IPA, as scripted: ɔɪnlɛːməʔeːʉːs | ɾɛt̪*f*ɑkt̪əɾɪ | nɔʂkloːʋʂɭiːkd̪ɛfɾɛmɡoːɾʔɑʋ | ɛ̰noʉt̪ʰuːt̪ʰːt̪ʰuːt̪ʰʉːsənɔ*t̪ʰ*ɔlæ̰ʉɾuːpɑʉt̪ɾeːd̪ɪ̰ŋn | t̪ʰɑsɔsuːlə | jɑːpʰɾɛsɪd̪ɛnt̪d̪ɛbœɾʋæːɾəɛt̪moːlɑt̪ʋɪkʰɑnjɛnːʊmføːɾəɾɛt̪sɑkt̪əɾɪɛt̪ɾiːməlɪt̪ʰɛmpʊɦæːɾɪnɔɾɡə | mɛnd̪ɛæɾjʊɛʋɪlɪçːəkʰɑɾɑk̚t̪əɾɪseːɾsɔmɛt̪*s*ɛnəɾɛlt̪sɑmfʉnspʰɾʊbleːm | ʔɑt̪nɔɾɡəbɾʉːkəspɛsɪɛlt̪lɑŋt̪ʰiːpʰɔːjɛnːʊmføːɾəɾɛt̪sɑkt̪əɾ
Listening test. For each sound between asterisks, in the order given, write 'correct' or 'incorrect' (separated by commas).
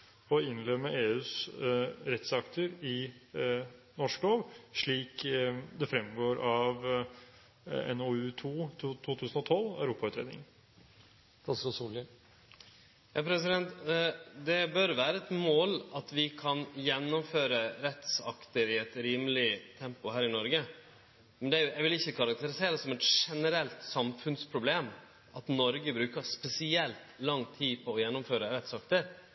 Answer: incorrect, correct, incorrect